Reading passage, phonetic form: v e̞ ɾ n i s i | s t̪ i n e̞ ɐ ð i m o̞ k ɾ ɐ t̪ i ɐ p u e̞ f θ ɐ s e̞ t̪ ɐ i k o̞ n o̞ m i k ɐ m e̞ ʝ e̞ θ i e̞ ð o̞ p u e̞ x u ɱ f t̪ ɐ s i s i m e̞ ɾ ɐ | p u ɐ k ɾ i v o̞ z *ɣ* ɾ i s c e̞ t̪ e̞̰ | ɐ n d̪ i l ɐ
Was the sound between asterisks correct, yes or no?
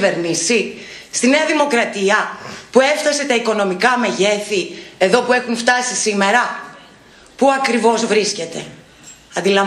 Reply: no